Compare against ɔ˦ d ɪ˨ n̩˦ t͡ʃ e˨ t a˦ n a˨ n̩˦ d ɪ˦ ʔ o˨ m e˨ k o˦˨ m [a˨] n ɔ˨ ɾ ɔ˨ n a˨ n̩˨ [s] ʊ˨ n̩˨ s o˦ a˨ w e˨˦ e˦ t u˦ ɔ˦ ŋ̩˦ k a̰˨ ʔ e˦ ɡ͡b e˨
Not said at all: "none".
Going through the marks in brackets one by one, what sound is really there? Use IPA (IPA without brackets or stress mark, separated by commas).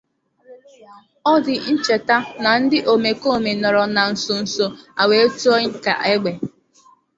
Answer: e˨, s